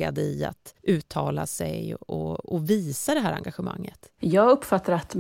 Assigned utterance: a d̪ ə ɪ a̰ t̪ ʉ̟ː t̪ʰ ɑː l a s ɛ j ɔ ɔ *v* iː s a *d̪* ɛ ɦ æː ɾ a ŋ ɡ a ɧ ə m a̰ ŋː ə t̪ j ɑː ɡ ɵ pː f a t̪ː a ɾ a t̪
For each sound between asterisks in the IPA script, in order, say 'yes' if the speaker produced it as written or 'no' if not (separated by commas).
yes, yes